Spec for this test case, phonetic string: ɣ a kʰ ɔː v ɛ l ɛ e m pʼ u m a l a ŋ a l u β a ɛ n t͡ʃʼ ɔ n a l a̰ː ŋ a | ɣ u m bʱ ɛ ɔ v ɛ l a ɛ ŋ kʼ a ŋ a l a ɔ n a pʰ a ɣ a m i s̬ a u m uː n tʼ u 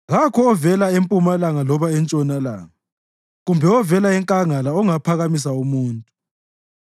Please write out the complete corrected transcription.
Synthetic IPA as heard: ɣ a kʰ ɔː v ɛ l a e m pʼ u m a l a ŋ a l ɔ β a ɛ n t͡ʃʼ ɔ n a l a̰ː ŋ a | ɣ u m bʱ ɛ ɔ v ɛ l a ɛ ŋ kʼ a ŋ a l a ɔ ŋ a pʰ a ɣ a m i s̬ a u m uː n tʼ u